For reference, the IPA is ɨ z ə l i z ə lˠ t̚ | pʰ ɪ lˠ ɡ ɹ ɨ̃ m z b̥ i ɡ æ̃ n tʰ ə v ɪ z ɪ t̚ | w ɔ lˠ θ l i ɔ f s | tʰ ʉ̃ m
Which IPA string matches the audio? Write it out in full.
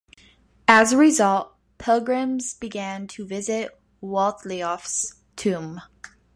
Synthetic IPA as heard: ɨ z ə ɹ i z ʌ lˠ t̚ | pʰ ɪ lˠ ɡ ɹ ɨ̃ m z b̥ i ɡ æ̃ n tʰ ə v ɪ z ɪ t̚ | w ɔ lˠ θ l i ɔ f s | tʰ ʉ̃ m